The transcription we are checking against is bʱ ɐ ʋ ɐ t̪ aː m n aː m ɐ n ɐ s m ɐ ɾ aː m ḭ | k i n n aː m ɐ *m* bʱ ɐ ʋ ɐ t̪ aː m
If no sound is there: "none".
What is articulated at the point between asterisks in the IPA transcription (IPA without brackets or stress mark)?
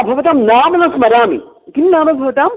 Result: none